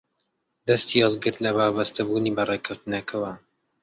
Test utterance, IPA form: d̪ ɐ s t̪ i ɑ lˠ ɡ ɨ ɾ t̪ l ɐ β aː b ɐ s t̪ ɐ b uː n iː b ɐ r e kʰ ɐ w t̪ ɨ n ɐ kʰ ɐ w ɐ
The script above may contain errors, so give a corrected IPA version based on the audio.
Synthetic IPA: d̪ ɐ s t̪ i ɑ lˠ ɡ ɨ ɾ t̪ l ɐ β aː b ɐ s t̪ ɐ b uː n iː b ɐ r e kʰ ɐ w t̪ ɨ n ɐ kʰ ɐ w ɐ